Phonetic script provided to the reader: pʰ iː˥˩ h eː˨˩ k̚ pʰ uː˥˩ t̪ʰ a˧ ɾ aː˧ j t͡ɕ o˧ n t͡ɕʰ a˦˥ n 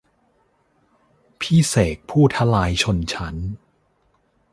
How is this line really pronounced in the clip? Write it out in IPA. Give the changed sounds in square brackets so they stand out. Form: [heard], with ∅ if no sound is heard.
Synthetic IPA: pʰ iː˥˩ [s] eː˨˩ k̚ pʰ uː˥˩ t̪ʰ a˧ [l] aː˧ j [t͡ɕʰ] o˧ n t͡ɕʰ a˦˥ n